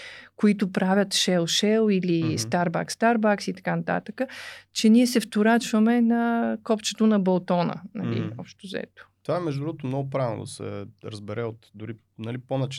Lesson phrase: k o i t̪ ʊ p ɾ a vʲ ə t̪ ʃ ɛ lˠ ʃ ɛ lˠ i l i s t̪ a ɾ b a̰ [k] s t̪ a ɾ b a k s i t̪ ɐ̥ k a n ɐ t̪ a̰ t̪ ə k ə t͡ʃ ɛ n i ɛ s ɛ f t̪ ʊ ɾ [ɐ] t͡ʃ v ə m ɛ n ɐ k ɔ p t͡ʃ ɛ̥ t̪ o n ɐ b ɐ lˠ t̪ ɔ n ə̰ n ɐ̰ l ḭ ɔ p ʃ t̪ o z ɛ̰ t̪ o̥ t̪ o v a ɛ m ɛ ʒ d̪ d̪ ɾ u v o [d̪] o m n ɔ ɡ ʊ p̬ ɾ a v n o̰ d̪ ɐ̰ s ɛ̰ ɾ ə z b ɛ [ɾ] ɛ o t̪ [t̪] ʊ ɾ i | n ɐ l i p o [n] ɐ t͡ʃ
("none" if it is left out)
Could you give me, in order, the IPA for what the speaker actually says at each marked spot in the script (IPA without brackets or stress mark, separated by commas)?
k, a, t̪, ɾ, d̪, n